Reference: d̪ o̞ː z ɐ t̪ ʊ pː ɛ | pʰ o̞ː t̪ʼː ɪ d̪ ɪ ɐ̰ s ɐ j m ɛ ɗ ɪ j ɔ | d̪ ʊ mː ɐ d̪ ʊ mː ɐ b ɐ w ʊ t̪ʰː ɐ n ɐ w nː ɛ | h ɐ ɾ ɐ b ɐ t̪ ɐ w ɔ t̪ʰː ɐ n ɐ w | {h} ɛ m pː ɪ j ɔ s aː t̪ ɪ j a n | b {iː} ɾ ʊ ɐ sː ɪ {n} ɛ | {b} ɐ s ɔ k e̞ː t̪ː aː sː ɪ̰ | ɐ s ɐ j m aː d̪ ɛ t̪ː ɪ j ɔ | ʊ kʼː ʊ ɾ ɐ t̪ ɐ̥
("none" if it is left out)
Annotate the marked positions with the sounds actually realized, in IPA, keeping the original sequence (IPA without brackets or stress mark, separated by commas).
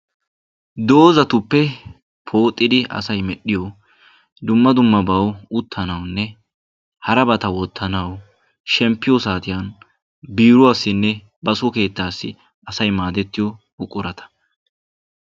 ʃ, iː, nː, b